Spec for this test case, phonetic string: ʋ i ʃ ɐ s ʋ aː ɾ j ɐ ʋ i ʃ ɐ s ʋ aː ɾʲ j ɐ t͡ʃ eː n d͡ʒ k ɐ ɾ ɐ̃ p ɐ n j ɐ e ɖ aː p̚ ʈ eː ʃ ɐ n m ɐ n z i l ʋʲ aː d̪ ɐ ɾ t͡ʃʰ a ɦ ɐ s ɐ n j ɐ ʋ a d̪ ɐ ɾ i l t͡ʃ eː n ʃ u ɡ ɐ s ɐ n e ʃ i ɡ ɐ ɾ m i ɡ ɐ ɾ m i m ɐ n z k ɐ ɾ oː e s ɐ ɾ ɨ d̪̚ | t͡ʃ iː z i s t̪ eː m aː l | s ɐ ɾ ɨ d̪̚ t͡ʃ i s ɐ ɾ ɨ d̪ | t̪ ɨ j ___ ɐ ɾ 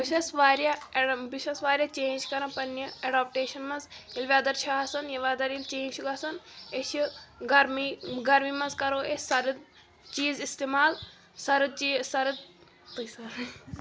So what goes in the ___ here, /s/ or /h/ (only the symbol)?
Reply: s